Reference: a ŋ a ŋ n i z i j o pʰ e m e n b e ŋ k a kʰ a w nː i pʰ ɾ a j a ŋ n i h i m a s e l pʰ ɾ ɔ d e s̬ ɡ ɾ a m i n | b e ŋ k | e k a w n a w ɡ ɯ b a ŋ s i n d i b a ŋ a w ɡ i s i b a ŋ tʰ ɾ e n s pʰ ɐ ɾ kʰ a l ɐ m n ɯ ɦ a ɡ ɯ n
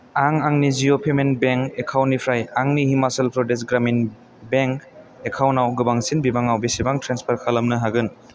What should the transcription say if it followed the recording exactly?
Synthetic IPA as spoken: a ŋ a ŋ n i z i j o pʰ e m e n b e ŋ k e kʰ a w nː i pʰ ɾ a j a ŋ n i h i m a s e l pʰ ɾ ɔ d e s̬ ɡ ɾ a m i n | b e ŋ k | e kʰ a w n a w ɡ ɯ b a ŋ s i n b i b a ŋ a w b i s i b a ŋ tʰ ɾ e n s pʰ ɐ ɾ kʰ a l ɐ m n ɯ ɦ a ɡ ɯ n